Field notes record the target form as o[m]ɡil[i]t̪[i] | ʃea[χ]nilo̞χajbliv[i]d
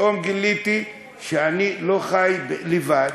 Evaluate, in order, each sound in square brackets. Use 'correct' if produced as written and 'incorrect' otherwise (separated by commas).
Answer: correct, correct, correct, incorrect, incorrect